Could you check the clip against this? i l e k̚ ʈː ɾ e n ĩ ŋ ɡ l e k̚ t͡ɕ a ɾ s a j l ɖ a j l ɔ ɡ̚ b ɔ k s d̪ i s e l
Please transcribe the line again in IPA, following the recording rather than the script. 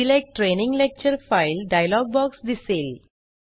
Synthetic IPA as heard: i l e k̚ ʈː ɾ e n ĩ ŋ ɡ l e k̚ t͡ɕ ə ɾ f a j l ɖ a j l ɔ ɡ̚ b ɔ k s d̪ i s e l